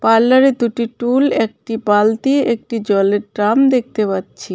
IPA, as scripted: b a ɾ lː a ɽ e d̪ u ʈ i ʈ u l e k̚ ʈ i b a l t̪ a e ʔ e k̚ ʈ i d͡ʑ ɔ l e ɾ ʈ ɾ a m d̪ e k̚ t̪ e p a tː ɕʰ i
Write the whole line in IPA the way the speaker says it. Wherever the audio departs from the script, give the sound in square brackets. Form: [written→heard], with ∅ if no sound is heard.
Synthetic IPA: [b→p] a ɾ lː a [ɽ→ɾ] e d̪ u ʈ i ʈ u l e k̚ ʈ i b a l t̪ [a→i] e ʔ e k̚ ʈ i d͡ʑ ɔ l e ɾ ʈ ɾ a m d̪ e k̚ t̪ e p a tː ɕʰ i